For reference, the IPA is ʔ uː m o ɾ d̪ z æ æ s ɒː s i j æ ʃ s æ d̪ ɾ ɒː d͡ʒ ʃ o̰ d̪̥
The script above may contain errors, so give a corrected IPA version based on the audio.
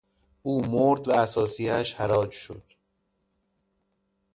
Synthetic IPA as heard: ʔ uː m o ɾ d̪ v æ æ s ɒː s i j æ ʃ h æ ɾ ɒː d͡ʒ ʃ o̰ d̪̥

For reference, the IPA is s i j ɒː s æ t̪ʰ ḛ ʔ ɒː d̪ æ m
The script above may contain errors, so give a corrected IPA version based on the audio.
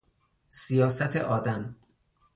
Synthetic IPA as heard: s i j ɒː s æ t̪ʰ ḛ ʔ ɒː d̪ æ m

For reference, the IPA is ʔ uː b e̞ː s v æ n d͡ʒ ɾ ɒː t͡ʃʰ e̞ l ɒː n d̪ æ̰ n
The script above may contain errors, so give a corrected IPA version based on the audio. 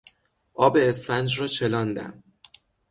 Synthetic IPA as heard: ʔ ɒː b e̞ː s f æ n d͡ʒ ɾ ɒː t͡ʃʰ e̞ l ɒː n d̪ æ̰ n

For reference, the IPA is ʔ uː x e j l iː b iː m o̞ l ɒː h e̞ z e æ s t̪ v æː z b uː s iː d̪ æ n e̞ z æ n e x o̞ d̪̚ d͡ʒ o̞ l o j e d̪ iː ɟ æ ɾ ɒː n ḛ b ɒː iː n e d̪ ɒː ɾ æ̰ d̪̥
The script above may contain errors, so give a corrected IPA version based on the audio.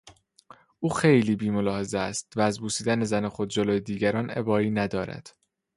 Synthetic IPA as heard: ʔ uː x e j l iː b iː m o̞ l ɒː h e̞ z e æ s t̪ v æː z b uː s iː d̪ æ n e̞ z æ n e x o̞ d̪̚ d͡ʒ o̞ l o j e d̪ iː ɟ æ ɾ ɒː n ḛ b ɒː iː n æ d̪ ɒː ɾ æ̰ d̪̥

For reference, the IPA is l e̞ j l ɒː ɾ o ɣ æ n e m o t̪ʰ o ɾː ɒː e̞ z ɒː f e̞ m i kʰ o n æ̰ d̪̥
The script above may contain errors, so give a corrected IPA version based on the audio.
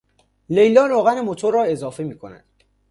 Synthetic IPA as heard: l e̞ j l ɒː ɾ o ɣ æ n e m o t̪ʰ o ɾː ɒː e̞ z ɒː f e̞ m iː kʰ o n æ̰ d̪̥

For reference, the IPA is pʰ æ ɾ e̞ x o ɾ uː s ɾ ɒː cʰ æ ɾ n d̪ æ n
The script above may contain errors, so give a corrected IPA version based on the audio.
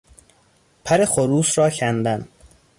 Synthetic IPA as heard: pʰ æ ɾ e̞ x o ɾ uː s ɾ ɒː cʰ æ n d̪ æ n

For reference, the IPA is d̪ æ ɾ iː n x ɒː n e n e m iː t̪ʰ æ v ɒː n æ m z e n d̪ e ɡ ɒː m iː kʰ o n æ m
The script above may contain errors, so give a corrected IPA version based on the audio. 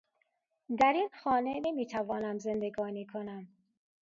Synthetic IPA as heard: d̪ æ ɾ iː n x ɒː n e n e m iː t̪ʰ æ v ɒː n æ m z e n d̪ e ɡ ɒː n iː kʰ o n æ m

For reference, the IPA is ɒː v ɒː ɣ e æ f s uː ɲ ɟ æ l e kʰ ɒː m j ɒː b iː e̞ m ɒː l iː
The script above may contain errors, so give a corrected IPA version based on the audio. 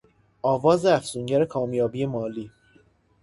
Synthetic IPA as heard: ɒː v ɒː z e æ f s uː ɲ ɟ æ ɾ e kʰ ɒː m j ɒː b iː e̞ m ɒː l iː

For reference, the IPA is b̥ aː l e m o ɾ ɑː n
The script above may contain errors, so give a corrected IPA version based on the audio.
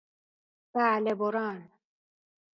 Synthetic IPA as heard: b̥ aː l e b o ɾ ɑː n

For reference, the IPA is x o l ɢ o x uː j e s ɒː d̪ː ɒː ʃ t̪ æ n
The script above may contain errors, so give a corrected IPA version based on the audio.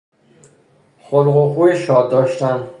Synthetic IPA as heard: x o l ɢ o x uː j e ʃ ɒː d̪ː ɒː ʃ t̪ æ n

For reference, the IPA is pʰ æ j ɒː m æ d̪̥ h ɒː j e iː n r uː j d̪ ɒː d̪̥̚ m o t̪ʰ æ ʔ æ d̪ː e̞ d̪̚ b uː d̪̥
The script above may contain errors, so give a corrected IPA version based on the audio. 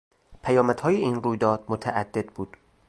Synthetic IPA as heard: pʰ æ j ɒː m æ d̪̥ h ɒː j e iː n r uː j d̪ ɒː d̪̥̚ m o t̪ʰ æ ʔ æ d̪ː e̞ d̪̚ b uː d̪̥

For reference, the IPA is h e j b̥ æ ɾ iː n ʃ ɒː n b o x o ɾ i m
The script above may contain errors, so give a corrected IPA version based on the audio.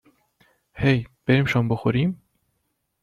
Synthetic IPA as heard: h e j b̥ e ɾ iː m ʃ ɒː m b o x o ɾ i m

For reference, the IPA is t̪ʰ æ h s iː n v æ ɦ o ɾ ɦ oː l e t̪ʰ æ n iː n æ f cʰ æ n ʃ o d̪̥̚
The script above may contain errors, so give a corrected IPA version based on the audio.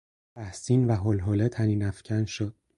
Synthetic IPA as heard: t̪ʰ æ h s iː n v æ ɦ o l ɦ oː l e t̪ʰ æ n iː n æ f cʰ æ n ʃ o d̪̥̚

